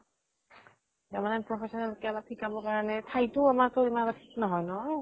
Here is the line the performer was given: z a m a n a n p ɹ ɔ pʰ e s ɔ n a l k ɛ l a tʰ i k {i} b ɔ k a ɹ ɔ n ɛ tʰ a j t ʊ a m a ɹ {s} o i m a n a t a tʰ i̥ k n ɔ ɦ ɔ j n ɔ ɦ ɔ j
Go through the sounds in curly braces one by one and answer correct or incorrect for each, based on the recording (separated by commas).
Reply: incorrect, incorrect